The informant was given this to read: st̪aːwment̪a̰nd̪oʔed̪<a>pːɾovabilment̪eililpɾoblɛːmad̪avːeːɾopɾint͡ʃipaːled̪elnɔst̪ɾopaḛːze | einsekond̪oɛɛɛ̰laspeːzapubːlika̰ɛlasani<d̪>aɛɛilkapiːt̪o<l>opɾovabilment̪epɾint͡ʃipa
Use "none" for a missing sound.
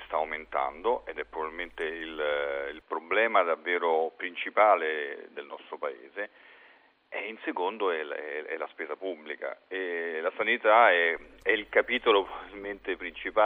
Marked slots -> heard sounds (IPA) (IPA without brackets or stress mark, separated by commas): ɛ, t̪, l